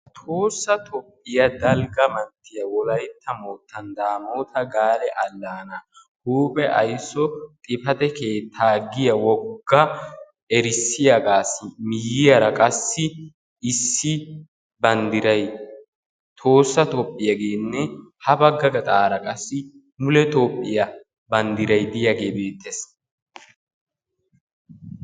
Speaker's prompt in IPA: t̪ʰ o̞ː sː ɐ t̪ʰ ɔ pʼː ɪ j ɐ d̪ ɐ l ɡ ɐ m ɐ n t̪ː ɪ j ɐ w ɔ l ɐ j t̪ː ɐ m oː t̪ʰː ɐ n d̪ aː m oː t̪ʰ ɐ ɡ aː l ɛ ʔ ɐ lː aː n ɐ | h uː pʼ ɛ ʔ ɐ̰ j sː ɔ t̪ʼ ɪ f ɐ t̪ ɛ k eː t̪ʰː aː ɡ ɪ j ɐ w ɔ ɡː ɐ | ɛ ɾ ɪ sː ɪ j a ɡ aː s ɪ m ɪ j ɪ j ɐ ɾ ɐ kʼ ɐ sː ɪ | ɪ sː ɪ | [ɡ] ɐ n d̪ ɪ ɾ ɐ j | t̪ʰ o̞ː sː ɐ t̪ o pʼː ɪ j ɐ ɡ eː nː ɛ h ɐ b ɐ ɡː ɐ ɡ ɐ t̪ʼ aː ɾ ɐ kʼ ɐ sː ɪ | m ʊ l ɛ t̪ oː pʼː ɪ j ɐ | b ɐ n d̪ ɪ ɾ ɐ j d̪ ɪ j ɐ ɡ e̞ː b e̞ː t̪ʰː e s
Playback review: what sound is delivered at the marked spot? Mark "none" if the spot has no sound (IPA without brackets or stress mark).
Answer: b